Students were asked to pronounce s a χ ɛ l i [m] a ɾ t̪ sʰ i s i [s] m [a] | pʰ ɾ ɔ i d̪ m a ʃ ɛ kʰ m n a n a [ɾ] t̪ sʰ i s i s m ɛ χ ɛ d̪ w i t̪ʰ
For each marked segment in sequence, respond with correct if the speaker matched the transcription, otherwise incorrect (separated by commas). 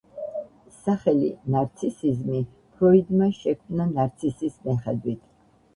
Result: incorrect, incorrect, incorrect, correct